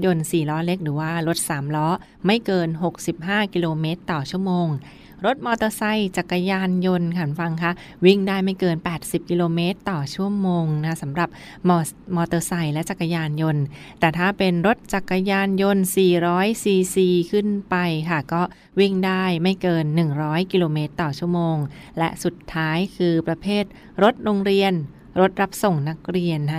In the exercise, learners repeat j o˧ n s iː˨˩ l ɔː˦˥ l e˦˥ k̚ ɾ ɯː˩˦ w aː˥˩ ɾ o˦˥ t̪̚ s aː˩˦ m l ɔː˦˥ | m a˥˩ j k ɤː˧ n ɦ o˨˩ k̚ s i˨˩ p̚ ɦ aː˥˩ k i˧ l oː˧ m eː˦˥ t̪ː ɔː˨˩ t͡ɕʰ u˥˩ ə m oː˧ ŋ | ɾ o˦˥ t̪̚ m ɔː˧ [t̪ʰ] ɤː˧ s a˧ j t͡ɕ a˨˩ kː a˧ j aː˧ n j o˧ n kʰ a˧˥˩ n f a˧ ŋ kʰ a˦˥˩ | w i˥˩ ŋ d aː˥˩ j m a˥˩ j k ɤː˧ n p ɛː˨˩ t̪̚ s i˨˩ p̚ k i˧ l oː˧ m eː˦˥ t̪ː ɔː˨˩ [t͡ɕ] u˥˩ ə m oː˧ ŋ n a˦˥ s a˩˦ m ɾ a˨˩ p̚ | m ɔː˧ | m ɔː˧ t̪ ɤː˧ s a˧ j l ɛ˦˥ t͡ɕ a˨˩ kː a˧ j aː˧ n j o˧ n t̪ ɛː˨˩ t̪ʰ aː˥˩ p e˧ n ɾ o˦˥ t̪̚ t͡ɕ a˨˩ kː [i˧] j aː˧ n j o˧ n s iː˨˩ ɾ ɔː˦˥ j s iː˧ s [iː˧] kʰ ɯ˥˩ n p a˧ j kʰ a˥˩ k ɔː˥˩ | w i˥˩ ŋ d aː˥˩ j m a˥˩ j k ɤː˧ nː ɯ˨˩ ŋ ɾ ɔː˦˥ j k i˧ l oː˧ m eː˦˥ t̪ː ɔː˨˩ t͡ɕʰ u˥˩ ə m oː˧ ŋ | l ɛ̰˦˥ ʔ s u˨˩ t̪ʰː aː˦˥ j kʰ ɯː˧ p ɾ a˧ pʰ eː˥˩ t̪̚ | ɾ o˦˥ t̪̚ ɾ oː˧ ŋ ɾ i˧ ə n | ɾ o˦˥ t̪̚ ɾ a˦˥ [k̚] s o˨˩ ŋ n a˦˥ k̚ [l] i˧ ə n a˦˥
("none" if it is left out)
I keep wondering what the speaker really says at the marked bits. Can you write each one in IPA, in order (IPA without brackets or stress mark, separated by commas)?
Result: t̪, t͡ɕʰ, a˧, iː˧, p̚, ɾ